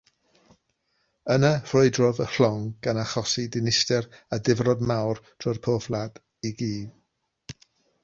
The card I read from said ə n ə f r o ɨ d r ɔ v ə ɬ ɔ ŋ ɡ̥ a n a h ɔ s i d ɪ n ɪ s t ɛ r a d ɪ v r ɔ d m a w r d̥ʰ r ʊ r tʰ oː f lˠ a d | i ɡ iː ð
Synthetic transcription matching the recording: ə n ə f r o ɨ d r ɔ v ə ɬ ɔ ŋ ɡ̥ a n a χ ɔ s i d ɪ n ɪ s t ɛ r a d ɪ v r ɔ d m a w r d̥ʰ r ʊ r pʰ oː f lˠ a d | i ɡ iː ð